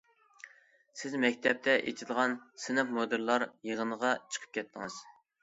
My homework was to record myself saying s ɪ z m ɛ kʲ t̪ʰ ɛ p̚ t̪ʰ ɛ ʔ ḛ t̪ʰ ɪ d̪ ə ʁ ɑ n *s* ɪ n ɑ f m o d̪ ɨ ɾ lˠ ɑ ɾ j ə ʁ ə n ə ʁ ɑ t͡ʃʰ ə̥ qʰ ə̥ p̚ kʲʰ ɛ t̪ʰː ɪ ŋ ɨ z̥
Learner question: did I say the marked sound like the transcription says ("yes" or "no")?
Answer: yes